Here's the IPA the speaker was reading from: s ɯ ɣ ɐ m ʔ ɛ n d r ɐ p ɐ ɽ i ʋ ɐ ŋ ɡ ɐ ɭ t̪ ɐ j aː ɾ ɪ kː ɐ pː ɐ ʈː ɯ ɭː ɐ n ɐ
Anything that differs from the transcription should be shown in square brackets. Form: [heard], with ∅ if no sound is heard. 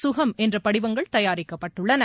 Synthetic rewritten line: s [ʊ] ɣ ɐ m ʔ ɛ n d r ɐ p ɐ ɽ [ɪ] ʋ ɐ ŋ ɡ ɐ ɭ t̪ ɐ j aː ɾ ɪ kː ɐ pː ɐ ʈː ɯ ɭː ɐ n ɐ